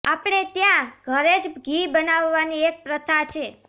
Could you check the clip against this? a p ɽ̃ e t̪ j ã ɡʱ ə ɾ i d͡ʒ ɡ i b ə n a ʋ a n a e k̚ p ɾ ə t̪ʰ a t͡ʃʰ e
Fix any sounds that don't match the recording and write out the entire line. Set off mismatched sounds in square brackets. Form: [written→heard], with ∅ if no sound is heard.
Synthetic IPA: a p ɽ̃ e t̪ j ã ɡʱ ə ɾ [i→e] d͡ʒ ɡ i b ə n a [ʋ→ʋː] a n [a→i] e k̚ p ɾ ə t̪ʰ a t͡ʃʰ e